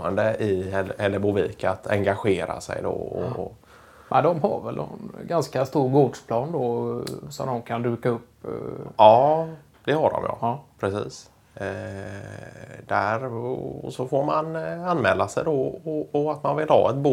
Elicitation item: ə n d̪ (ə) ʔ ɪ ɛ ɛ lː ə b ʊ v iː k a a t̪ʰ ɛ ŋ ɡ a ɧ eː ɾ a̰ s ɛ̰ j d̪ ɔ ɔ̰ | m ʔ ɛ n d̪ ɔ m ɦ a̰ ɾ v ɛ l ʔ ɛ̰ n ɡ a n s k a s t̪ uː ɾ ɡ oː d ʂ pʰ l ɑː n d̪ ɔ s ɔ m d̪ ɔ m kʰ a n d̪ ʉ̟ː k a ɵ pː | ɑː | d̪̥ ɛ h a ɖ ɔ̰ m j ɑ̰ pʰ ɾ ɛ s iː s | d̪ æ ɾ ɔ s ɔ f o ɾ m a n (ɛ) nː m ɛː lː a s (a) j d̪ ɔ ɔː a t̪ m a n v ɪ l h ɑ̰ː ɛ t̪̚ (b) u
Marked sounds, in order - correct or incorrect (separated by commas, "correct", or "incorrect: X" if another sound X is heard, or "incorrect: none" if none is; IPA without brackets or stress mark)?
correct, incorrect: a, incorrect: ɛ, correct